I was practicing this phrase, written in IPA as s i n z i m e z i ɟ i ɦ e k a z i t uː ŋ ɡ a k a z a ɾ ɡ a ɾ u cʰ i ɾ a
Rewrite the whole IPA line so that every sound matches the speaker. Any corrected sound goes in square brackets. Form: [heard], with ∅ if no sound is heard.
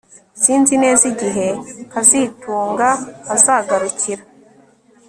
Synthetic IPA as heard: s i n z i [n] e z i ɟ i ɦ e k a z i t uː ŋ ɡ a k a z a [∅] ɡ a ɾ u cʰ i ɾ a

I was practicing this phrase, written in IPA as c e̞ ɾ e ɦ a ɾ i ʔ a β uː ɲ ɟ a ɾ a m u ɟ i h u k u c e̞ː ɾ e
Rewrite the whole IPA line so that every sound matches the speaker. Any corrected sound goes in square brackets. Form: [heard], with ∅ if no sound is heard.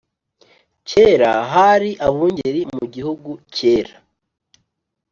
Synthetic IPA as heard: c e̞ ɾ [a] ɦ a ɾ i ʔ a β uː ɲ ɟ [e] ɾ [i] m u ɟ i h u [ɡ] u c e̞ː ɾ [a]

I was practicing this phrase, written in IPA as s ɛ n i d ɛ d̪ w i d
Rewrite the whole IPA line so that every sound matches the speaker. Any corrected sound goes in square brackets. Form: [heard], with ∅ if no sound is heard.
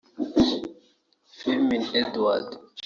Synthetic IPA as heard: [f] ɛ [m] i [n] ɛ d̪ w [a] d

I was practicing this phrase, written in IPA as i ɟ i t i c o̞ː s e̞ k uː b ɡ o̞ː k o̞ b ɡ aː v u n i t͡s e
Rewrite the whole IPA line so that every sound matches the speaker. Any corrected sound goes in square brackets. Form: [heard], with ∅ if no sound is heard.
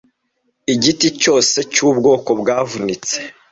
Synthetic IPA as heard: i ɟ i t i c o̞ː s e̞ [c] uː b ɡ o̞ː k o̞ b ɡ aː v u n i t͡s e

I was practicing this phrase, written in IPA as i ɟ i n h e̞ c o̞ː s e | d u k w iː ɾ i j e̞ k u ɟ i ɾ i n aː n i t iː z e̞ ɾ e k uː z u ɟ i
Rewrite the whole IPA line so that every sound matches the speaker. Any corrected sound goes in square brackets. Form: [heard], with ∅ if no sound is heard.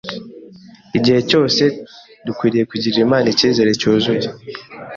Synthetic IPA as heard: i ɟ i [∅] h e̞ c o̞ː s e | d u k w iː ɾ i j e̞ k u ɟ i ɾ i [m] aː n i [c] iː z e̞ ɾ e [c] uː z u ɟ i

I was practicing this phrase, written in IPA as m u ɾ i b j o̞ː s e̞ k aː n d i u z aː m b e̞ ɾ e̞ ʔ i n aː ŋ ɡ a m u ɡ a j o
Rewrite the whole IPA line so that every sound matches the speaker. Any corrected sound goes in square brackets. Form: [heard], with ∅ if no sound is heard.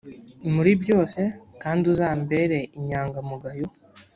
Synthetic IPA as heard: m u ɾ i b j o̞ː s e̞ k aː n d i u z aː m b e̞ ɾ e̞ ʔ i [ɲ] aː ŋ ɡ a m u ɡ a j o

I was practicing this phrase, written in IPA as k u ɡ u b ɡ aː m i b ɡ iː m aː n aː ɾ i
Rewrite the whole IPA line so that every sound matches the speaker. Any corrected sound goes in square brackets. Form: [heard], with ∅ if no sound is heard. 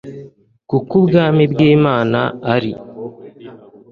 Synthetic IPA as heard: k u [k] u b ɡ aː m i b ɡ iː m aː n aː ɾ i

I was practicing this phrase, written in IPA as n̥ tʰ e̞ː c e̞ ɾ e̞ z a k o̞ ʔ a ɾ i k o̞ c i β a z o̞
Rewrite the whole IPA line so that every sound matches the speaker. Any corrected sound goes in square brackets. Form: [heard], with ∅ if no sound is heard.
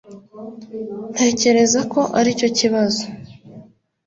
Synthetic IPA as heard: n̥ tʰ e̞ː c e̞ ɾ e̞ z a k o̞ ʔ a ɾ i [c] o̞ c i β a z o̞

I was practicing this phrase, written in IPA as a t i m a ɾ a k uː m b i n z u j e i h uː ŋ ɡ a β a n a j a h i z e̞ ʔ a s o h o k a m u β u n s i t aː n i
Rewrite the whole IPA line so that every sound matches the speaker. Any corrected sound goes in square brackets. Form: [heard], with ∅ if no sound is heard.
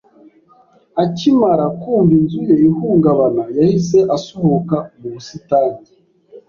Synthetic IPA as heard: a [c] i m a ɾ a k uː m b i n z u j e i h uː ŋ ɡ a β a n a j a h i [s] e̞ ʔ a s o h o k a m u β u [∅] s i t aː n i

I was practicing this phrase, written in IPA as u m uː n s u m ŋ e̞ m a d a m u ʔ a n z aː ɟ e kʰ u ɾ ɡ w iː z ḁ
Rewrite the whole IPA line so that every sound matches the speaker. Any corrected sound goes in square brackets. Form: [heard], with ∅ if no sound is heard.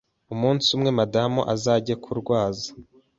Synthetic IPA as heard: u m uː n s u m ŋ e̞ m a d a m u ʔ a [∅] z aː ɟ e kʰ u ɾ ɡ w [aː] z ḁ

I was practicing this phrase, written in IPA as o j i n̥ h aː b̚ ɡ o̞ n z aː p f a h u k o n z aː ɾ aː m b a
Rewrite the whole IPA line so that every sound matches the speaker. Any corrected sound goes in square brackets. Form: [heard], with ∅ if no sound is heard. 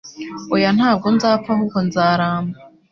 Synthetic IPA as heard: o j [a] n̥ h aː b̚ ɡ o̞ n z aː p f a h u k o n z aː ɾ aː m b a

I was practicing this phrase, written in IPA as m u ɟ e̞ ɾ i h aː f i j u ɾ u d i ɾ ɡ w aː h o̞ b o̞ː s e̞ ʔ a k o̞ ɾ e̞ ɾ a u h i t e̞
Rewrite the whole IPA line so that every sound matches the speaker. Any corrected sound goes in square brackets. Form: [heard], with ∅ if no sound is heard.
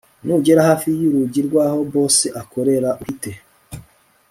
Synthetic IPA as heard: [n] u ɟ e̞ ɾ [a] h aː f i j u ɾ u [ɟ] i ɾ ɡ w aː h o̞ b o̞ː s e̞ ʔ a k o̞ ɾ e̞ ɾ a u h i t e̞

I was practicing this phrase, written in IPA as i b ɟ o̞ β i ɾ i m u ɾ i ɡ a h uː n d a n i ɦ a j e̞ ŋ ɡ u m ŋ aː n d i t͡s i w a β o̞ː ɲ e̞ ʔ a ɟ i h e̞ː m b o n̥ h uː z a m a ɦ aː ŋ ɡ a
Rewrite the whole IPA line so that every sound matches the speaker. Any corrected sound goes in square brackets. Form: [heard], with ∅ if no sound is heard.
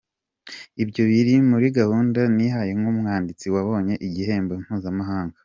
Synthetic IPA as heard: i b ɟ o̞ β i ɾ i m u ɾ i ɡ a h uː n d a n i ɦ a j e̞ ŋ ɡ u m ŋ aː n d i t͡s i w a β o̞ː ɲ e̞ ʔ [i] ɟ i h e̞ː m b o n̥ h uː z a m a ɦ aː ŋ ɡ a

